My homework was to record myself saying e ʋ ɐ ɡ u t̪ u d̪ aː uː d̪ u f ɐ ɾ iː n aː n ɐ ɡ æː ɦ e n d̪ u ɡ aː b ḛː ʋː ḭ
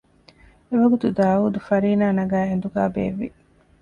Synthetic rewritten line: e ʋ ɐ ɡ u t̪ u d̪ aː uː d̪ u f ɐ ɾ iː n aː n ɐ ɡ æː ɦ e n d̪ u ɡ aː b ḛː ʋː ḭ